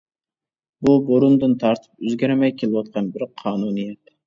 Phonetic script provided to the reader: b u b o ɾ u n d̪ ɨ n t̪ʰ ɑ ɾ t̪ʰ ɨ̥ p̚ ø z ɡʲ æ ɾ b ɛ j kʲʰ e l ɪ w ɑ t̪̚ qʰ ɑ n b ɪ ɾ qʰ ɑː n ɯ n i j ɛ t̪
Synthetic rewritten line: b u b o ɾ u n d̪ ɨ n t̪ʰ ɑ ɾ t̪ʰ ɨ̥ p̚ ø z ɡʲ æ ɾ m ɛ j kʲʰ e l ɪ w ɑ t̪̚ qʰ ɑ n b ɪ ɾ qʰ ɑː n u n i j ɛ t̪